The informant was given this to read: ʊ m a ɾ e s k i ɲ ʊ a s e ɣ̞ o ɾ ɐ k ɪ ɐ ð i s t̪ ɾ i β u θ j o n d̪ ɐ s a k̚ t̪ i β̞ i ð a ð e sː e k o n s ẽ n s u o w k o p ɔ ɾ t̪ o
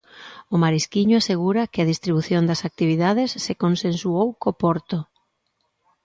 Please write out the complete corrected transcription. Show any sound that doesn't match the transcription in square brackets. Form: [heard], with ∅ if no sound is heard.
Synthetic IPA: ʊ m a ɾ [i] s k i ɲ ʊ a s e ɣ̞ [u] ɾ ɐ k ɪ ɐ ð i s t̪ ɾ i β u θ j o n d̪ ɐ s a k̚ t̪ i β̞ i ð a ð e sː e k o n s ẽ n s u o w k o p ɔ ɾ t̪ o